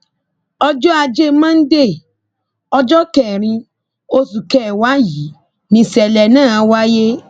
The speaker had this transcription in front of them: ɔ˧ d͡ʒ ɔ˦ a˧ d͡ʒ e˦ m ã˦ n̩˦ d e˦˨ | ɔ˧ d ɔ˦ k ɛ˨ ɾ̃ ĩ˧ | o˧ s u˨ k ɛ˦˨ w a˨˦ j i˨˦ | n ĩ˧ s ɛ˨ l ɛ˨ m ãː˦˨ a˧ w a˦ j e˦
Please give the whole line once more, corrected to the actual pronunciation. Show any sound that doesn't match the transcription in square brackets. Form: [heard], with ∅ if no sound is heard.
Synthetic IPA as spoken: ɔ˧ d͡ʒ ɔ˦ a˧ d͡ʒ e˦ m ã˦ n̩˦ d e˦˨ | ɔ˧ [d͡ʒ] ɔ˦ k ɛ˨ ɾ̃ ĩ˧ | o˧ s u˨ k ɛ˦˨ w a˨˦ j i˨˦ | n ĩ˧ s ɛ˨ l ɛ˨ [n] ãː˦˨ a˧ w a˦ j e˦